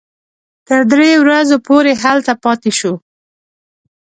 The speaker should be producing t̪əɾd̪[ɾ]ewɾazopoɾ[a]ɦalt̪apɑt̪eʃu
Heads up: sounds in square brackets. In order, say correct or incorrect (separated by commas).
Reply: correct, incorrect